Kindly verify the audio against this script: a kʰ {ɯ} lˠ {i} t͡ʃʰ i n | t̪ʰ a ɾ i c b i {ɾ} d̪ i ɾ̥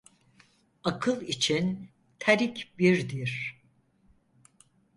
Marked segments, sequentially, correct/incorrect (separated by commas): correct, correct, correct